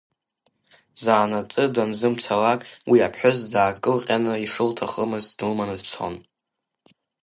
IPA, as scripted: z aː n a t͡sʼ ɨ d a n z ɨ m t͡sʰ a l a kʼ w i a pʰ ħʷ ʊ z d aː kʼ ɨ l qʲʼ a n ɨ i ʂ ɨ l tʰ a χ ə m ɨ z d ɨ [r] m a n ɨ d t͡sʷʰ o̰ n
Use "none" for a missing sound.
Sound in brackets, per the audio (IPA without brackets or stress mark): l